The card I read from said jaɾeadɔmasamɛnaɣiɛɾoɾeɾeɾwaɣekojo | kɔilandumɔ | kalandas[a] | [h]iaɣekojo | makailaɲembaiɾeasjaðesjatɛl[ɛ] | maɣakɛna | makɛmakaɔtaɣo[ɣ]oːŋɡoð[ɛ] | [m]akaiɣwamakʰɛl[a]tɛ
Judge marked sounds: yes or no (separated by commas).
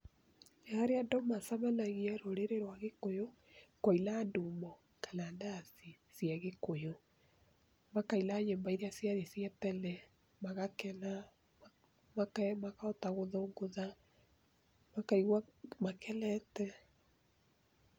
no, no, yes, no, no, yes, no